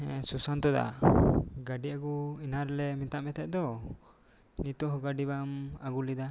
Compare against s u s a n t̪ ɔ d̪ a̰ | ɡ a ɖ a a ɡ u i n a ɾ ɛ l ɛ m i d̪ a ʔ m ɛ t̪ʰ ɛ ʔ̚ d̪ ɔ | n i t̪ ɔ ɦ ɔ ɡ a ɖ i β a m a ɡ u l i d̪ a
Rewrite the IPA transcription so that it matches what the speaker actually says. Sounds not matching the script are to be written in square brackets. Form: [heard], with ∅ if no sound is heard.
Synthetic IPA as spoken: s u s a n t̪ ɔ d̪ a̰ | ɡ a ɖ [i] a ɡ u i n a ɾ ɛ l ɛ m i [t̪] a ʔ m ɛ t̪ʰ ɛ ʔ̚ d̪ ɔ | n i t̪ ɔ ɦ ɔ ɡ a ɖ i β a m a ɡ u l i d̪ a